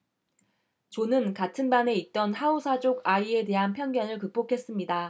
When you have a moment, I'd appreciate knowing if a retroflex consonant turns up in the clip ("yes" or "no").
yes